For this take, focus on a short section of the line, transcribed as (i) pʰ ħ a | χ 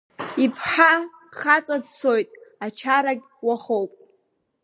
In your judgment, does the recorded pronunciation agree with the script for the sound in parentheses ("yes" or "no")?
yes